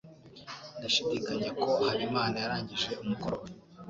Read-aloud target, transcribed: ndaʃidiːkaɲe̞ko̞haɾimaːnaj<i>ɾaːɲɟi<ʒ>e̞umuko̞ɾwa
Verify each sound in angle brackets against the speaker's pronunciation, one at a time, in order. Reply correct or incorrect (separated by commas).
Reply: incorrect, correct